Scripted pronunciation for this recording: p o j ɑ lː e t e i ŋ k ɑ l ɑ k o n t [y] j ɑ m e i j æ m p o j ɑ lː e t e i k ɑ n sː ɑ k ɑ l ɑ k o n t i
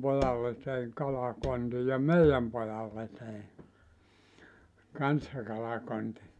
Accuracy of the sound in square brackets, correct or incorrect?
incorrect